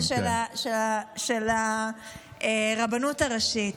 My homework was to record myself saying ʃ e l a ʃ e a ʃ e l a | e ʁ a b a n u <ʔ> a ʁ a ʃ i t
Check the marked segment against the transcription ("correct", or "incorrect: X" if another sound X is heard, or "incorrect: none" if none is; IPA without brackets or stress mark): incorrect: t